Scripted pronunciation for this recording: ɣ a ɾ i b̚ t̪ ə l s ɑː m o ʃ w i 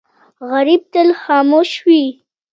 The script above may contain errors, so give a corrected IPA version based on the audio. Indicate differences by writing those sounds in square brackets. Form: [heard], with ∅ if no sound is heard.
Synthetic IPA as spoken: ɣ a ɾ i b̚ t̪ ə l [x] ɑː m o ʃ w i

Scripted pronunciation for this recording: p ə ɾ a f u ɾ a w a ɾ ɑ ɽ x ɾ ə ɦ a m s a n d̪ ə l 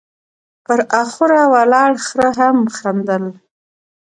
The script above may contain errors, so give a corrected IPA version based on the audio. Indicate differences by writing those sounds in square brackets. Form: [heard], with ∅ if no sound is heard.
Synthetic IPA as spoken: p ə ɾ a [x] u ɾ a w a [l] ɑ ɽ x ɾ ə ɦ a m [x] a n d̪ ə l

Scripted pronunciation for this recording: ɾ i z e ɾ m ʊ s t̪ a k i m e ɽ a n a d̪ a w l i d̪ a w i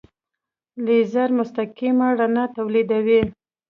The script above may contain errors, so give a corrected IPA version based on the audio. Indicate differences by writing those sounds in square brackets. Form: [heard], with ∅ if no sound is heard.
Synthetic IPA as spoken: [l] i z [a] ɾ m ʊ s t̪ a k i m [a] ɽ a n a [t̪] a w l i d̪ a w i

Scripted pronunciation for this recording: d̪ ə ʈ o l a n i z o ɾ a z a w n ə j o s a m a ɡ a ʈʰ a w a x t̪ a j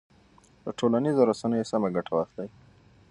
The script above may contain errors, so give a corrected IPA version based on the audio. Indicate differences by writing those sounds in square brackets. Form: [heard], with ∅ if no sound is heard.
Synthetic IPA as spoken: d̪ ə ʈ o l a n i z o ɾ a [s] a [∅] n ə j o s a m a ɡ a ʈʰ a w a x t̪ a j

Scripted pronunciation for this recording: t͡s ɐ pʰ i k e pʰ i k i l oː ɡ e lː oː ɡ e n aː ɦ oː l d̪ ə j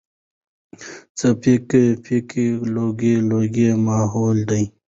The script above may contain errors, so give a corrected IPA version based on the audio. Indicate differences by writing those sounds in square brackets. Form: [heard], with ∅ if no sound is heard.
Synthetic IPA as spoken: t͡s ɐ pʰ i k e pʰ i k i l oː ɡ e [l] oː ɡ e [m] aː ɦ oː l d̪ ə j

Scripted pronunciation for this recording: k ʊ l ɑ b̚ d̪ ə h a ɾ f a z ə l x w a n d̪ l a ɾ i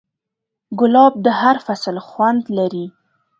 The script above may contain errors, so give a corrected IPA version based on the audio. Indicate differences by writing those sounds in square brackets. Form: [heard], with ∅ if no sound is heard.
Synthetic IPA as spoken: [ɡ] ʊ l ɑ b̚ d̪ ə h a ɾ f a [s] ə l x w a n d̪ l a ɾ i

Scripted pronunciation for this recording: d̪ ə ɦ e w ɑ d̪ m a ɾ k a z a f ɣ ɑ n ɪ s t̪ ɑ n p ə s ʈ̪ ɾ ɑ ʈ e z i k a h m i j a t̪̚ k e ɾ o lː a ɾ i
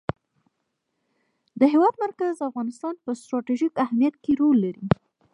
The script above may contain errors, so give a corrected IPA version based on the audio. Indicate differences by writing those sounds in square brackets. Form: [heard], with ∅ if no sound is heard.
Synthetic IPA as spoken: d̪ ə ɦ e w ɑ d̪ m a ɾ k a z a f ɣ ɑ n ɪ s t̪ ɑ n p ə s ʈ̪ ɾ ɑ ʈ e [ʒ] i k a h m i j a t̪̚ k e ɾ o lː a ɾ i

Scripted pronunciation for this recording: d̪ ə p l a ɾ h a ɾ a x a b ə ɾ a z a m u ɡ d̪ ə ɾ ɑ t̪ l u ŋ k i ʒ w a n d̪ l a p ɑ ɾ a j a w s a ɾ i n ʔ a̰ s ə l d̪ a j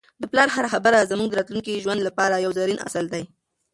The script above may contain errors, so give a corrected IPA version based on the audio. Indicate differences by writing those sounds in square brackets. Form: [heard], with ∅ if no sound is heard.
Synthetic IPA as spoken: d̪ ə p l [ɑ] ɾ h a ɾ a x a b ə ɾ a z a m u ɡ d̪ ə ɾ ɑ t̪ l u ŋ k i ʒ w a n d̪ l a p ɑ ɾ a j a w [z] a ɾ i n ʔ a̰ s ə l d̪ a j

